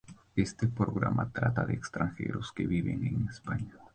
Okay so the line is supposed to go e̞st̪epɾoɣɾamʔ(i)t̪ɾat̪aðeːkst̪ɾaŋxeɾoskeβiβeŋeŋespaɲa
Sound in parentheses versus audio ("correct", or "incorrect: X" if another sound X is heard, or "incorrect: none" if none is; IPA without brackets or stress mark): incorrect: a